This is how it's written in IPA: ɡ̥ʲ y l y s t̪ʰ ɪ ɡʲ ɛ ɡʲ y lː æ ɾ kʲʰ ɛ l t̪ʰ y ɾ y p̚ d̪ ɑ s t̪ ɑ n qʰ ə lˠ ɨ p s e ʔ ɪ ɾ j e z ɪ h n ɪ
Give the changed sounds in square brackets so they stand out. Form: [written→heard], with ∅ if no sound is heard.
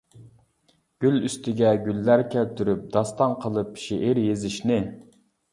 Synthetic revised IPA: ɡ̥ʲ y l y s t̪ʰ ɪ ɡʲ ɛ ɡʲ y lː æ ɾ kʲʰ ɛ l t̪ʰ y ɾ y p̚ d̪ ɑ s t̪ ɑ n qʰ ə lˠ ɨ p [s→ʃ] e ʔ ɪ ɾ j e z ɪ [h→ʃ] n ɪ